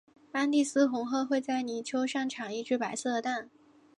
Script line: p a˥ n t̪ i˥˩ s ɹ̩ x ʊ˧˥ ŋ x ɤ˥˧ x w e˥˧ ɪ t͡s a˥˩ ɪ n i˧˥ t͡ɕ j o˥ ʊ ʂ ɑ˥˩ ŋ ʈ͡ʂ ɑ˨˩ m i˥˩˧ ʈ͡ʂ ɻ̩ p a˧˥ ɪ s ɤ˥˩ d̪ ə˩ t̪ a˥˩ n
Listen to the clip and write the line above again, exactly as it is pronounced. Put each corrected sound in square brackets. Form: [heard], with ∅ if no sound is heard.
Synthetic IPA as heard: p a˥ n t̪ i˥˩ s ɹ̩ x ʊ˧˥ ŋ x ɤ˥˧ x w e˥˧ ɪ t͡s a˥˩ ɪ n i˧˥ [t͡ɕʰ] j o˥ ʊ ʂ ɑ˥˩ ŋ [ʈ͡ʂʰ] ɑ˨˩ [ŋ] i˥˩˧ ʈ͡ʂ ɻ̩ p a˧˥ ɪ s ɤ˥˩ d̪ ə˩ t̪ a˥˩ n